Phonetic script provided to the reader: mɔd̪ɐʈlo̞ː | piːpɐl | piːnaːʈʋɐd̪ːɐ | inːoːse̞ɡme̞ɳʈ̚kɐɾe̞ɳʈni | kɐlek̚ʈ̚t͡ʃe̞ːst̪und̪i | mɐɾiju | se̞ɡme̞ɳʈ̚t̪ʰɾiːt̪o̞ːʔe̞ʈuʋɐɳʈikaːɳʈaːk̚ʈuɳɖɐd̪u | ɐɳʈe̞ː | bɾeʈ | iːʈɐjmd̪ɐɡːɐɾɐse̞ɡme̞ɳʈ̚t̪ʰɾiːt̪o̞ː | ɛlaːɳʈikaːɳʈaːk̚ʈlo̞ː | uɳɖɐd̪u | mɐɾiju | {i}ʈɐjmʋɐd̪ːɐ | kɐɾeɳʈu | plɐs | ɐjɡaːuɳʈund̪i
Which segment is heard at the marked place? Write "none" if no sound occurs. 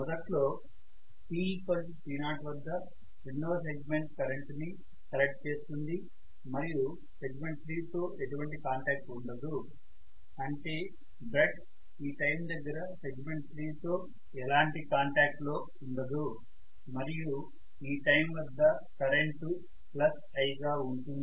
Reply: iː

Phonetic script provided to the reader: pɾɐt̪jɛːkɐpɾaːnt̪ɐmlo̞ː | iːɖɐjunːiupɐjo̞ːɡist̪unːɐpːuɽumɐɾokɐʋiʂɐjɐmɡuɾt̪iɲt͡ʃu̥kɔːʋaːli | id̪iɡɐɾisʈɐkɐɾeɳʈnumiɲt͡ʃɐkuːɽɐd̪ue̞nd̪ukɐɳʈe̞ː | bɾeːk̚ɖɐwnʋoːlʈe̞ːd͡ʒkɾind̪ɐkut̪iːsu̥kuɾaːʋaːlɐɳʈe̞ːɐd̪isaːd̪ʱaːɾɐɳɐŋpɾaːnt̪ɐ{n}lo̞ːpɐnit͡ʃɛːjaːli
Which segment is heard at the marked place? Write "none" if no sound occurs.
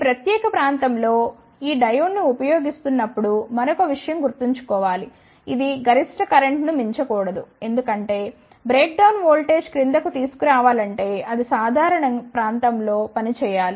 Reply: m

